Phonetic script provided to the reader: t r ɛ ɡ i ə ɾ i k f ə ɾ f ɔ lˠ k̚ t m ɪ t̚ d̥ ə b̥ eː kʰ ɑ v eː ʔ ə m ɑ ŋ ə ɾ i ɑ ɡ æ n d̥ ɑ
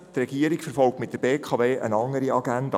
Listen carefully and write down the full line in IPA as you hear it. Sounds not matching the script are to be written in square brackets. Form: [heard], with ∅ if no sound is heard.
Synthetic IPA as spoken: t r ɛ ɡ i ə ɾ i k f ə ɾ f ɔ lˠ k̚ t m ɪ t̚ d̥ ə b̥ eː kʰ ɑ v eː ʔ ə [n] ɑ ŋ ə ɾ i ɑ ɡ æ n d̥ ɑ